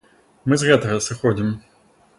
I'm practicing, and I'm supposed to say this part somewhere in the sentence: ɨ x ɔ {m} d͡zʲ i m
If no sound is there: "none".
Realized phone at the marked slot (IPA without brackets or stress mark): none